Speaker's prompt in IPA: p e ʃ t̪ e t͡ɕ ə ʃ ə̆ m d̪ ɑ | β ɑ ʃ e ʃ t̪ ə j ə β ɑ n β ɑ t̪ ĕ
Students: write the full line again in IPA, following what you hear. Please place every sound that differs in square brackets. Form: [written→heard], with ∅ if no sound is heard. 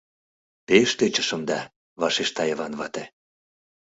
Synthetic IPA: p e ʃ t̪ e t͡ɕ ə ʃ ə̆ m d̪ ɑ | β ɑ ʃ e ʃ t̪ [ə→ɑ] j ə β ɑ n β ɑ t̪ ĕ